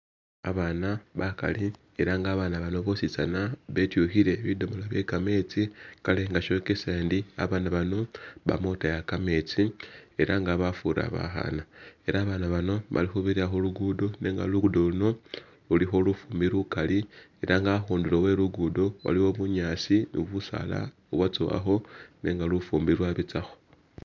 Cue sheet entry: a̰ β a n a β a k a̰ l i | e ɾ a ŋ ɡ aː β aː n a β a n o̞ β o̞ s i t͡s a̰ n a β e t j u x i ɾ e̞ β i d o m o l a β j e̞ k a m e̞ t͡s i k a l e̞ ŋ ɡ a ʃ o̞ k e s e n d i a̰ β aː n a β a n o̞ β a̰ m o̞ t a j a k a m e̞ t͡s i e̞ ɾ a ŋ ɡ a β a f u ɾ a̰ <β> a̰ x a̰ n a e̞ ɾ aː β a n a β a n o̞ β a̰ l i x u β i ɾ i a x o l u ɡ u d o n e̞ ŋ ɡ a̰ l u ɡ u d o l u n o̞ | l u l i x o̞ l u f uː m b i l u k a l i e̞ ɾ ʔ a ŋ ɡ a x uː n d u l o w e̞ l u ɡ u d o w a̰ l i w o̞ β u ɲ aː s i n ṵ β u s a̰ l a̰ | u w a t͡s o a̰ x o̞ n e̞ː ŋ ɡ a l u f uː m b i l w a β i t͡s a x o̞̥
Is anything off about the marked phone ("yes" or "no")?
no